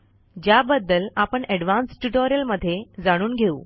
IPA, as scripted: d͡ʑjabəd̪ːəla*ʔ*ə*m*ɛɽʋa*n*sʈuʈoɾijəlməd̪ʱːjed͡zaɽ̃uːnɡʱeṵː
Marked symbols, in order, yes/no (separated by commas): no, no, yes